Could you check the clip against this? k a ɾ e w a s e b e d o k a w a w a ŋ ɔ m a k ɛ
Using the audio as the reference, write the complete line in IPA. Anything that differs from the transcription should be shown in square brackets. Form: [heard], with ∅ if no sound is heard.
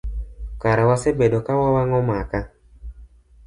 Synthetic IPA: k a ɾ [a] w a s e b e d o k a w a w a ŋ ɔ m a k [a]